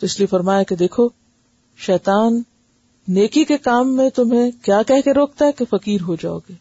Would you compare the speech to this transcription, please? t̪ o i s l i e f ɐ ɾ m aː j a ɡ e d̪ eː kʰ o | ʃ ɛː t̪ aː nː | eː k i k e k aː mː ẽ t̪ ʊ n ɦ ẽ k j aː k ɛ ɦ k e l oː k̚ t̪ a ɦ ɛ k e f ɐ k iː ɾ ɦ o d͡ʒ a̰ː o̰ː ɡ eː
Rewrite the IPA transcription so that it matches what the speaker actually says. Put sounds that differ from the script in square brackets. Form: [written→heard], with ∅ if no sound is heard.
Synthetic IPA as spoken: t̪ o [i→ɪ] s l i e f ɐ ɾ m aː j a [ɡ→k] e d̪ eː kʰ o | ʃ ɛː t̪ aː nː | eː k i k e k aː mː ẽ t̪ ʊ [n→m] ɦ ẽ k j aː k ɛ ɦ k e [l→ɾ] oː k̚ t̪ a ɦ ɛ k e f ɐ k iː ɾ ɦ o d͡ʒ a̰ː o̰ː ɡ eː